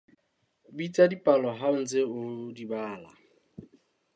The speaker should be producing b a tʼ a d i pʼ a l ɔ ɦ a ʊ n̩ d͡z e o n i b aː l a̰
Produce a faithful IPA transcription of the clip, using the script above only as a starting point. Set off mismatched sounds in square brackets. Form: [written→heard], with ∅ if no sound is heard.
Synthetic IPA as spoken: b [a→i] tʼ a d i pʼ a l ɔ ɦ a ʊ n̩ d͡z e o [n→d] i b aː l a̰